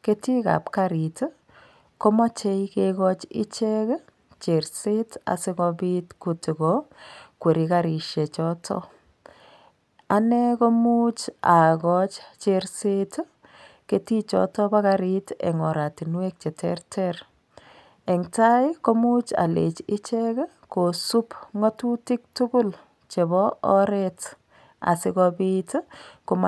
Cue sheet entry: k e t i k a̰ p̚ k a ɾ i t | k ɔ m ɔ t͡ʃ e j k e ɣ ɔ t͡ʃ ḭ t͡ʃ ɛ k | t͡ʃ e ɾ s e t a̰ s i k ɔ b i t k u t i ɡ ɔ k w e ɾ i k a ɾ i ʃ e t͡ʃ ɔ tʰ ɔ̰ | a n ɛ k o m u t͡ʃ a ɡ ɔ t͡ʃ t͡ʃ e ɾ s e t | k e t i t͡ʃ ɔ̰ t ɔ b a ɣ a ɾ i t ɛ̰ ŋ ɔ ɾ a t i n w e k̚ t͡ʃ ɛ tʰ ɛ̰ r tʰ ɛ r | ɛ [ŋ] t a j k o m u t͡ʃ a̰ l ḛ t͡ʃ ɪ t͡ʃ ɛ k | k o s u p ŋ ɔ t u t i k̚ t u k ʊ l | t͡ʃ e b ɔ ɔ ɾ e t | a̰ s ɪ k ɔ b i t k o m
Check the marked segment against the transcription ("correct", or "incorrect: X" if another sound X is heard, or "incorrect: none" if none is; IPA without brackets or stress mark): correct